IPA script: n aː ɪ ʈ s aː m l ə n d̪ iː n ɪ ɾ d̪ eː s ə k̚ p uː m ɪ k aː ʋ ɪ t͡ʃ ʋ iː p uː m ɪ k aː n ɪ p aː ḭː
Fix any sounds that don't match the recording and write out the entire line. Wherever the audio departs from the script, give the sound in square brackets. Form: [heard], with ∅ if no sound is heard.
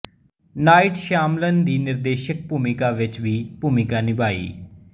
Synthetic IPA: n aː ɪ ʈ [ʃ] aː m l ə n d̪ iː n ɪ ɾ d̪ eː [ʃ] ə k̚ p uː m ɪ k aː ʋ ɪ t͡ʃ ʋ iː p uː m ɪ k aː n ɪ [b] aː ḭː